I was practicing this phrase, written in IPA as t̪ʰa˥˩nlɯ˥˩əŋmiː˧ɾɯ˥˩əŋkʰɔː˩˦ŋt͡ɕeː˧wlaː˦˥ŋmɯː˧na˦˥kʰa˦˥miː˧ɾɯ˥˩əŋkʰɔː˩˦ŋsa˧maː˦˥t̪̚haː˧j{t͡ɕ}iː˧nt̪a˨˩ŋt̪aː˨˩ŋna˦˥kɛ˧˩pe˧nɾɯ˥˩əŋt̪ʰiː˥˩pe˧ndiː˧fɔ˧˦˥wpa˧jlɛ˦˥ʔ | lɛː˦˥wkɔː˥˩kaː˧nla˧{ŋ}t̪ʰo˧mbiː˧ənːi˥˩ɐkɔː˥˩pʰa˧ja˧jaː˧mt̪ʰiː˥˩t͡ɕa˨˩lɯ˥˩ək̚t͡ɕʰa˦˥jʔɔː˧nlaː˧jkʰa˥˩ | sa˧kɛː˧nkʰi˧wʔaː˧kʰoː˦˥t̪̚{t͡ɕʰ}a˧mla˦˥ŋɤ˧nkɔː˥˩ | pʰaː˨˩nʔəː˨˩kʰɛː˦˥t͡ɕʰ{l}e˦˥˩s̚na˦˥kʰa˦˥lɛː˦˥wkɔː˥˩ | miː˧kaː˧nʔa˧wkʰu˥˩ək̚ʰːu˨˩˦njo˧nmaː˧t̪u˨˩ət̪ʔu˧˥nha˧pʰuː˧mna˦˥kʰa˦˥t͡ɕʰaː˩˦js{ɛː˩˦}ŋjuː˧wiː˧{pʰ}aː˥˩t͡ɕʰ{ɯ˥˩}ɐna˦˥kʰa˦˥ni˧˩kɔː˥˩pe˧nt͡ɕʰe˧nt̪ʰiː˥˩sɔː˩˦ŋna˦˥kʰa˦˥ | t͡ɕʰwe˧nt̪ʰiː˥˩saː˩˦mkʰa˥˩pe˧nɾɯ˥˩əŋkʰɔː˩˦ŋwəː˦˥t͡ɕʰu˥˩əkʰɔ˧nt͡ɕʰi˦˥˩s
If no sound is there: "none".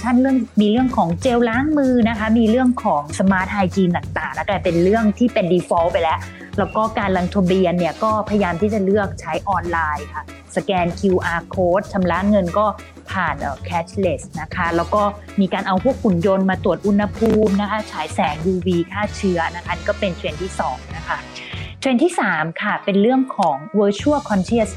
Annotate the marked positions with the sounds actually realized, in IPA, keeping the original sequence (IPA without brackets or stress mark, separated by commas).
t͡ɕ, ŋ, t͡ɕʰ, l, ɛː˩˦, kʰ, ɯ˦˥